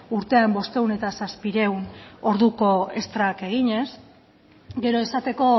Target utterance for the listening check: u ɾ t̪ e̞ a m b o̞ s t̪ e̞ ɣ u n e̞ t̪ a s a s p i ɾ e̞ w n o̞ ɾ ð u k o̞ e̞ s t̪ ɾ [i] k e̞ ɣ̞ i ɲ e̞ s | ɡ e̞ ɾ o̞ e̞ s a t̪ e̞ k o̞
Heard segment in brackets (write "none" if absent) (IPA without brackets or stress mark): a